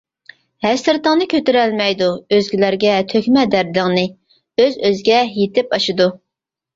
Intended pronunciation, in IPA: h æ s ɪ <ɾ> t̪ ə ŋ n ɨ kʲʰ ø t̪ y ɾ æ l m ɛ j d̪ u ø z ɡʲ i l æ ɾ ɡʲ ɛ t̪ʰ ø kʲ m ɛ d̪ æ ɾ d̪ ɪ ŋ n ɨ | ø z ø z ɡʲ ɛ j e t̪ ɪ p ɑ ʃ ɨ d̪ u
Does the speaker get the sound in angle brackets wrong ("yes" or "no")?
no